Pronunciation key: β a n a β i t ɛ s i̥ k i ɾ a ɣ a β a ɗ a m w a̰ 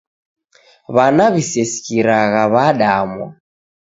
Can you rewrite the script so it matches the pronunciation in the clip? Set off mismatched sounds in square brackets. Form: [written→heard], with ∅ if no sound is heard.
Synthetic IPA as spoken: β a n a β i [t→s] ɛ s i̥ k i ɾ a ɣ a β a ɗ a m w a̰